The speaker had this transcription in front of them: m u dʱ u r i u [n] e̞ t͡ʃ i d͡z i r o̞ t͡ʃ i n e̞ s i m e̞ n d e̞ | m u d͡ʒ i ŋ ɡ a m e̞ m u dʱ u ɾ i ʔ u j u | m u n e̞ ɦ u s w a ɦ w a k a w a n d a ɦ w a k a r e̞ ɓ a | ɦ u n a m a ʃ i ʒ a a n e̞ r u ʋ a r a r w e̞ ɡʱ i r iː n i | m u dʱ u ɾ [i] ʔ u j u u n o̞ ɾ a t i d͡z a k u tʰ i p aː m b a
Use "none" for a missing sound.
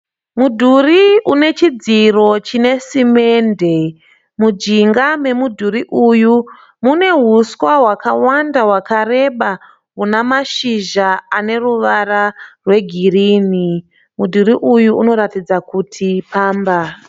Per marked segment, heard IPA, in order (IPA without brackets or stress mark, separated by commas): n, i